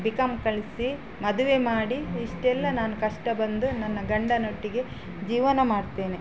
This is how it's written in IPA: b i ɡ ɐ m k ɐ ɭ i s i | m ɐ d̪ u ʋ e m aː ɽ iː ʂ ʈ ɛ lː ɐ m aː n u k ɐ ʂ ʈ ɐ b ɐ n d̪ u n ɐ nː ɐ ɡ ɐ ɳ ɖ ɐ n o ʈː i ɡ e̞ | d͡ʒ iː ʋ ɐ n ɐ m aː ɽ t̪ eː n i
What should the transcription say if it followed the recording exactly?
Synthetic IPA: b i k ɐ m k ɐ ɭ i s i | m ɐ d̪ u ʋ e m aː ɽ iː ʂ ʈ ɛ lː ɐ n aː n u k ɐ ʂ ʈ ɐ b ɐ n d̪ u n ɐ nː ɐ ɡ ɐ ɳ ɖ ɐ n o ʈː i ɡ e̞ | d͡ʒ iː ʋ ɐ n ɐ m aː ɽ t̪ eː n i